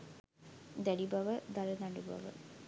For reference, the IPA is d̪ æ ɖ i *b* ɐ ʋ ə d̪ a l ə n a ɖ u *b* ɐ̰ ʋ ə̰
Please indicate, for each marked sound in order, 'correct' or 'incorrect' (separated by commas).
correct, correct